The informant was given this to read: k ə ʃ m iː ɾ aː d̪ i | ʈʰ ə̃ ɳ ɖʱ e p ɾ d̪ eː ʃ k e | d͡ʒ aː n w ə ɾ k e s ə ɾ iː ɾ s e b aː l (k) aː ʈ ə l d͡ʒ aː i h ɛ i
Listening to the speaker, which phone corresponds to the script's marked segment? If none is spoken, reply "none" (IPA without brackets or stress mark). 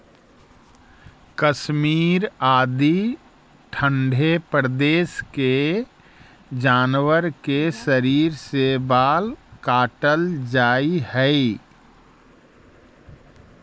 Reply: k